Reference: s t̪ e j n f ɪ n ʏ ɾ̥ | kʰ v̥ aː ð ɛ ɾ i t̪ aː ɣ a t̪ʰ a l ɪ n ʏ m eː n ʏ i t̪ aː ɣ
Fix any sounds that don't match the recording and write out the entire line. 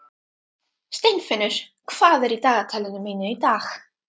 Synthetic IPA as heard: s t̪ e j n f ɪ n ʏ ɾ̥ | kʰ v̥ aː ð ɛ ɾ i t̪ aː ɣ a t̪ʰ a l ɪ n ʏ m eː n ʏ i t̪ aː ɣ